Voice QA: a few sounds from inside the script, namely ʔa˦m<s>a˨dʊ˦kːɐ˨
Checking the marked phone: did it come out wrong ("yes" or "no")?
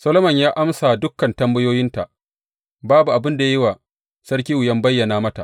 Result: no